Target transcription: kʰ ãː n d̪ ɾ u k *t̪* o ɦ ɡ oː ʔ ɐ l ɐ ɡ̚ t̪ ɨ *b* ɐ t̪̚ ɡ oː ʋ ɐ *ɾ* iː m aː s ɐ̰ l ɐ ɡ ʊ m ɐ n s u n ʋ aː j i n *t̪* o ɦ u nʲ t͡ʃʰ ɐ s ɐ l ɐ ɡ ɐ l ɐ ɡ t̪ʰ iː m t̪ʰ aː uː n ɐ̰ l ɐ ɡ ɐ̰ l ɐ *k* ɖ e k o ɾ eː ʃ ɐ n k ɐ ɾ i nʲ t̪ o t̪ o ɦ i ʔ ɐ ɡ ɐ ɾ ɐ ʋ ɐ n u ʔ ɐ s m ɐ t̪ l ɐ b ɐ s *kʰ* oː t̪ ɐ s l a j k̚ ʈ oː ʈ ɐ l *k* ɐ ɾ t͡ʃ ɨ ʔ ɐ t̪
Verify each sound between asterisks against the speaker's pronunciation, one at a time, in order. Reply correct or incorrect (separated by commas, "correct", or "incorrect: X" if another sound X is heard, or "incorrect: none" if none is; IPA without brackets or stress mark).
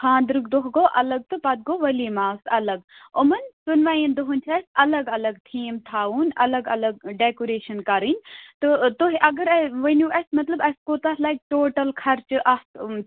incorrect: d̪, incorrect: p, incorrect: l, incorrect: d̪, incorrect: ɡ, incorrect: k, incorrect: kʰ